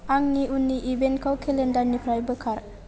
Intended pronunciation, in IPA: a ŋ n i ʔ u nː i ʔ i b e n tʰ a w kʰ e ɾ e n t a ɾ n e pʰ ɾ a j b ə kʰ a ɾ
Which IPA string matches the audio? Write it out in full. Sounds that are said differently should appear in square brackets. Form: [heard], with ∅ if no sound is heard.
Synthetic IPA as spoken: a ŋ n i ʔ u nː i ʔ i b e n [kʰ] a w kʰ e [l] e n [d] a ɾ n [i] pʰ ɾ a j b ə kʰ a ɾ